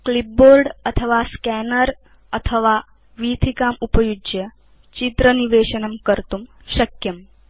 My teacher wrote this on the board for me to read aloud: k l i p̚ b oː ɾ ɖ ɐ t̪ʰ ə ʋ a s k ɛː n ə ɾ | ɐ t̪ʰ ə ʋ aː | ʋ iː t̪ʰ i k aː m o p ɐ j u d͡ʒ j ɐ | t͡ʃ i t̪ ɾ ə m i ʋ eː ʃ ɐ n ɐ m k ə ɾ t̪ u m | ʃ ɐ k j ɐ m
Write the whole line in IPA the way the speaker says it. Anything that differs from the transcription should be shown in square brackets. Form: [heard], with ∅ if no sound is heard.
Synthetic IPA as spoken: k l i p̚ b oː ɾ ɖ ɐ t̪ʰ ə ʋ a s k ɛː n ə ɾ | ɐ t̪ʰ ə ʋ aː | ʋ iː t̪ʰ i k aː m [u] p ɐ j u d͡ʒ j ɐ | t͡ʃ i t̪ ɾ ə [n] i ʋ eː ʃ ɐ n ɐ m k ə ɾ t̪ u m | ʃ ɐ k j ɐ m

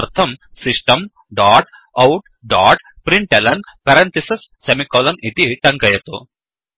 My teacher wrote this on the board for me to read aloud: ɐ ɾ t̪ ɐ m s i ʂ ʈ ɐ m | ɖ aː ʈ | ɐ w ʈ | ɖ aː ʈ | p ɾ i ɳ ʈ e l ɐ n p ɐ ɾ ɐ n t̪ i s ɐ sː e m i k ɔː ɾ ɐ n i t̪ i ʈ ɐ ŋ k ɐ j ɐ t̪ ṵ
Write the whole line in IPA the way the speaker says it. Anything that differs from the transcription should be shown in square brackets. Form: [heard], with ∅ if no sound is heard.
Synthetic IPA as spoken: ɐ ɾ [t̪ʰ] ɐ m s i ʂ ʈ ɐ m | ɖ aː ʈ | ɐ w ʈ | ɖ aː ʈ | p ɾ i ɳ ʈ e l ɐ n p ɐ ɾ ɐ n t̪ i s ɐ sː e m i k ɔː [l] ɐ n i t̪ i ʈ ɐ ŋ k ɐ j ɐ t̪ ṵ

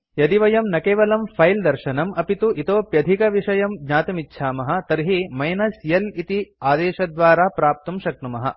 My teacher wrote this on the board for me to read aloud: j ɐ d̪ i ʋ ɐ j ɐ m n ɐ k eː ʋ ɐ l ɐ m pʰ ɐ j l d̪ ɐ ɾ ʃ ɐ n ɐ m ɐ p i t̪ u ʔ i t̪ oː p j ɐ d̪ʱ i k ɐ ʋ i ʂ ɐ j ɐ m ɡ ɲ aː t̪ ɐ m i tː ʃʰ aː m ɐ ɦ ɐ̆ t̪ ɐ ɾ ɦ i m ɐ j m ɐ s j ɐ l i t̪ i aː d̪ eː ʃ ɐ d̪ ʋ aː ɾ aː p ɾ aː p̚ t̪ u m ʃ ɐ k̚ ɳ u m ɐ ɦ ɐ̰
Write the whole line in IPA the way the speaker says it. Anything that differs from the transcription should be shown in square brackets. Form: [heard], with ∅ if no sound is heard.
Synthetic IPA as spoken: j ɐ d̪ i ʋ ɐ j ɐ m n ɐ k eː ʋ ɐ l ɐ m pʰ ɐ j l d̪ ɐ ɾ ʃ ɐ n ɐ m ɐ p i t̪ u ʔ i t̪ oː p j ɐ d̪ʱ i k ɐ ʋ i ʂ ɐ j ɐ m ɡ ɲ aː t̪ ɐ m i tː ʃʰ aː m ɐ ɦ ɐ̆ t̪ ɐ ɾ ɦ i m ɐ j [n] ɐ s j ɐ l i t̪ i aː d̪ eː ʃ ɐ d̪ ʋ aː ɾ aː p ɾ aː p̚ t̪ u m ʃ ɐ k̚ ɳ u m ɐ ɦ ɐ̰

